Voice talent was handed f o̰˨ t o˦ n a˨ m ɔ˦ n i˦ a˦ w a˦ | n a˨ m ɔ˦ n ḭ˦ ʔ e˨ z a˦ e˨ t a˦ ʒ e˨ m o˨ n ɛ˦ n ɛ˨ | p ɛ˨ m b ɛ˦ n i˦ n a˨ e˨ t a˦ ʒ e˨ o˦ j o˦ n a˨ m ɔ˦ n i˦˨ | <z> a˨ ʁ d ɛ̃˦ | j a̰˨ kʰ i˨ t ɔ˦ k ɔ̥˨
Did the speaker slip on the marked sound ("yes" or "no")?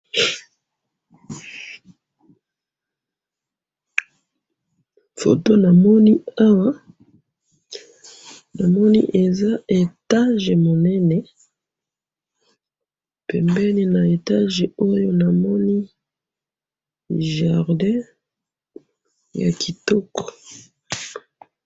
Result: yes